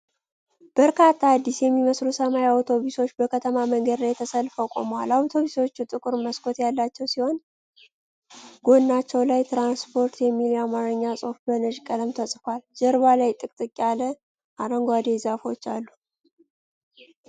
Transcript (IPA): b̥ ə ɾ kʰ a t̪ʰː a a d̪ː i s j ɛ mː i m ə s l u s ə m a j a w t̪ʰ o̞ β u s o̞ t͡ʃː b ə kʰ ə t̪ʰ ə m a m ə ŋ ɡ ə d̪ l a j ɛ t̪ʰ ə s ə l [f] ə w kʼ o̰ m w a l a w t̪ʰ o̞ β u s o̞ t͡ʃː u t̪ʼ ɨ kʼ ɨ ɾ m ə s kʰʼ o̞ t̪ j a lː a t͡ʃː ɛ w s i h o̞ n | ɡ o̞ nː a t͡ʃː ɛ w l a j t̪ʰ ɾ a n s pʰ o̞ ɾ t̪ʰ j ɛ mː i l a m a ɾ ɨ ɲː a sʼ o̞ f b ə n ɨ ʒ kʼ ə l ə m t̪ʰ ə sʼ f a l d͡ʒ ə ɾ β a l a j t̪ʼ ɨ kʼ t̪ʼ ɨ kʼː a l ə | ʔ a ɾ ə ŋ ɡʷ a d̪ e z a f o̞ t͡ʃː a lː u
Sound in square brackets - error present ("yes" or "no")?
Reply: no